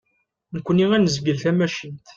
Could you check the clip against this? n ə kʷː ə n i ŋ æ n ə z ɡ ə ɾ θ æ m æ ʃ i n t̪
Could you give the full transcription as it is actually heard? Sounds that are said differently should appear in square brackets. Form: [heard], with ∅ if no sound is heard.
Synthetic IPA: n ə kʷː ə n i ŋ æ n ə z ɡ ə [l] θ æ m æ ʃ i n t̪